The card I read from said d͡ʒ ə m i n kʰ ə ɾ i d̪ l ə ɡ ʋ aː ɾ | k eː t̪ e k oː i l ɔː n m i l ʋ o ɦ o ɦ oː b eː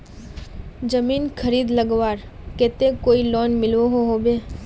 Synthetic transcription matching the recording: d͡ʒ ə m iː n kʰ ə ɾ iː d̪ l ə ɡ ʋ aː ɾ | k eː t̪ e k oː i l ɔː n m ɪ l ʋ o ɦ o ɦ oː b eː